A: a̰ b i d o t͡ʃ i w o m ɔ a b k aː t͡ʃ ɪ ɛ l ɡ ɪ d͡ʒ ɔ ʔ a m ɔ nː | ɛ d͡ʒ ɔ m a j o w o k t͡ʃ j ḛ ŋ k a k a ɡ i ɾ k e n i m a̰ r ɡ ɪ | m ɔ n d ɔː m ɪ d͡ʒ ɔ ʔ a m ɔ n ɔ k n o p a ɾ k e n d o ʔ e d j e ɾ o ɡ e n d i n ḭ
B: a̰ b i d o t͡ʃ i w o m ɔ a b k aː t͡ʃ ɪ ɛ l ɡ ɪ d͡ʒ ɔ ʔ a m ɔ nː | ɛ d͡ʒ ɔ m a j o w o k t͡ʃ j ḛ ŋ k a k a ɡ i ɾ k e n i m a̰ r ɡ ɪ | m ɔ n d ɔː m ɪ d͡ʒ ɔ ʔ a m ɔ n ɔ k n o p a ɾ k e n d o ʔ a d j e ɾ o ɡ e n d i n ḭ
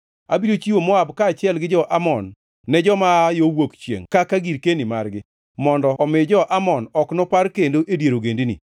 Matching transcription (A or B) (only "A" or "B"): A